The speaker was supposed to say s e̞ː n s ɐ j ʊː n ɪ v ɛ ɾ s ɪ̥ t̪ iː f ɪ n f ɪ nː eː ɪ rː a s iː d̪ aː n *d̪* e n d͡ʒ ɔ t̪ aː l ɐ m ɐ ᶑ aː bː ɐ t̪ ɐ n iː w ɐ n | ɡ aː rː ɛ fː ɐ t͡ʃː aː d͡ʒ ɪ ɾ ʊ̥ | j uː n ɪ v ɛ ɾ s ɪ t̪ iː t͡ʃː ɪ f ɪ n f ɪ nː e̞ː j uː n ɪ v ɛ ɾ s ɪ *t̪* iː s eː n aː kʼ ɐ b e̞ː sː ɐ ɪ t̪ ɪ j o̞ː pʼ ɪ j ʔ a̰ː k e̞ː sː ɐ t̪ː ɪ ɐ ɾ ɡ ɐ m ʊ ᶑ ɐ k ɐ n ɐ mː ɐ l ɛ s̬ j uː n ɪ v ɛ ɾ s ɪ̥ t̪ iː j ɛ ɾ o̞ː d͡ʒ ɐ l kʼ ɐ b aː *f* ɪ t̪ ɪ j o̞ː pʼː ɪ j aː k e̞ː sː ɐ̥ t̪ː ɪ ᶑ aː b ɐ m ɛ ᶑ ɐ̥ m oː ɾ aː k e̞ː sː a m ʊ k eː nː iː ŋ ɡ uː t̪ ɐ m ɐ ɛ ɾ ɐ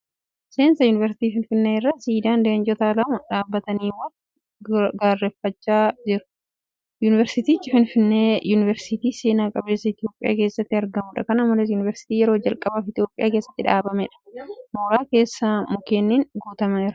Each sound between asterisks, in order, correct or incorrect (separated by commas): correct, correct, correct